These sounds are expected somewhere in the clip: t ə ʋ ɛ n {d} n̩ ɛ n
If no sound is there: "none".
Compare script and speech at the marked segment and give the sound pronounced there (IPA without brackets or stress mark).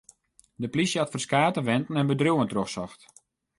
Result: t